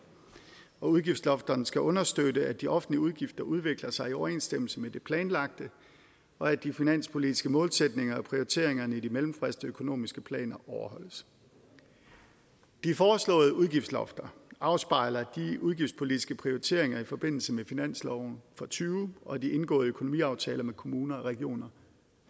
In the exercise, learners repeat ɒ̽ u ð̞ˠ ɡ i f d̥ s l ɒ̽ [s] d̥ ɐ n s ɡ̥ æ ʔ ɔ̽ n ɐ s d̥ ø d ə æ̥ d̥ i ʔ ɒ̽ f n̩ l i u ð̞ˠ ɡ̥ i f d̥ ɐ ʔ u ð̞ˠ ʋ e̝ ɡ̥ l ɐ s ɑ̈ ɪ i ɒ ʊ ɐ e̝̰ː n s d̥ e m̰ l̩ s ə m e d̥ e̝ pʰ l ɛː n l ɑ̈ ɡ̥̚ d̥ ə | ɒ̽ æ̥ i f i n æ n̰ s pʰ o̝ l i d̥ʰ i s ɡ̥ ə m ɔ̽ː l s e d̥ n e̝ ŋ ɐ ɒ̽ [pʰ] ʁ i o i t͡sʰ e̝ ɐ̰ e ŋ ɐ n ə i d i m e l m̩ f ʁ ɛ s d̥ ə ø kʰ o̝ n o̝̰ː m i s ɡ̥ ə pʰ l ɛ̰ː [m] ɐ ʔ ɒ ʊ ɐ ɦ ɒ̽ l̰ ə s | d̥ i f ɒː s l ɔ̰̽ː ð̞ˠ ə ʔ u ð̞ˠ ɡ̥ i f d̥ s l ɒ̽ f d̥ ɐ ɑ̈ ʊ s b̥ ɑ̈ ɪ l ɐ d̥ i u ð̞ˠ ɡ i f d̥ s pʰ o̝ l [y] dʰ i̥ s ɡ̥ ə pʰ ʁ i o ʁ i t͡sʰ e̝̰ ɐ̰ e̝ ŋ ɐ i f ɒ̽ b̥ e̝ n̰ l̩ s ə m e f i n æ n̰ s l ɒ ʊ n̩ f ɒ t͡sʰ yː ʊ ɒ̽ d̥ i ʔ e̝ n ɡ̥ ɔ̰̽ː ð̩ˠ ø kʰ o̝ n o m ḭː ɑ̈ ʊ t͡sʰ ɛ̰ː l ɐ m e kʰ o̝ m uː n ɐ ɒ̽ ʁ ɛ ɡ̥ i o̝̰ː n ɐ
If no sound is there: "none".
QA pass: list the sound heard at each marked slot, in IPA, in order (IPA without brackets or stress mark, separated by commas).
f, pʰ, n, i